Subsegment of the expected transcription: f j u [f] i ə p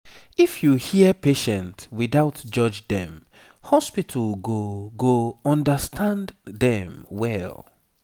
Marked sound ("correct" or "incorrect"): incorrect